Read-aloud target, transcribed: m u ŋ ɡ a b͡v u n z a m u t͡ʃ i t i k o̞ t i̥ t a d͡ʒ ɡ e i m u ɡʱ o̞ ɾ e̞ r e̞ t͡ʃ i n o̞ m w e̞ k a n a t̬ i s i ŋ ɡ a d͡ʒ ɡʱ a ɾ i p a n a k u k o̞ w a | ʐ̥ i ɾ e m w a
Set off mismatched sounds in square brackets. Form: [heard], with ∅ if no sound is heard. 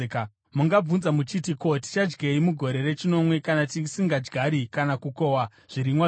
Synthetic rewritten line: m u ŋ ɡ a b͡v u n z a m u t͡ʃ i t i k o̞ t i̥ [t͡ʃ] a d͡ʒ ɡ e i m u ɡʱ o̞ ɾ e̞ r e̞ t͡ʃ i n o̞ m w e̞ k a n a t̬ i s i ŋ ɡ a d͡ʒ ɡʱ a ɾ i [k] a n a k u k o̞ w a | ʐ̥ i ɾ [i] m w a